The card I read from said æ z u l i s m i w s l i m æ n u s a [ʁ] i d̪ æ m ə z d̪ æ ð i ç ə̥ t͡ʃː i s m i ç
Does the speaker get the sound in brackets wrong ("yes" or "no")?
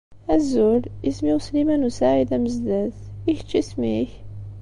yes